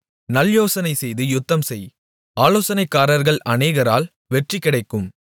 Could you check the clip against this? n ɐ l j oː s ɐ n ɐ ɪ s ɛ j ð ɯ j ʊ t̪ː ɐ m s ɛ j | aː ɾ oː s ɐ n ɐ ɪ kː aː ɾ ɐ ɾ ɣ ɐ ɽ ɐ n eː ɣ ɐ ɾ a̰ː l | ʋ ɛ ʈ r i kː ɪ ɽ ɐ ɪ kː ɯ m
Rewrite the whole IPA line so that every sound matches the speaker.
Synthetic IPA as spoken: n ɐ l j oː s ɐ n ɐ ɪ s ɛ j ð ɯ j ʊ t̪ː ɐ m s ɛ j | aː l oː s ɐ n ɐ ɪ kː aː ɾ ɐ ɾ ɣ ɐ ɭ ɐ n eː ɣ ɐ ɾ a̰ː l | ʋ ɛ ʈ r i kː ɪ ɽ ɐ ɪ kː ɯ m